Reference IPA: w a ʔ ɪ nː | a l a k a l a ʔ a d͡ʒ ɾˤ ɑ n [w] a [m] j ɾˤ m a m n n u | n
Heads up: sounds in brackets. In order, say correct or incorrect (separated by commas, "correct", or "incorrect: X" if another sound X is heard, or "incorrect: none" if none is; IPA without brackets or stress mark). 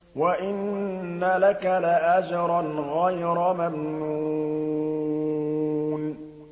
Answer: incorrect: ɣ, incorrect: none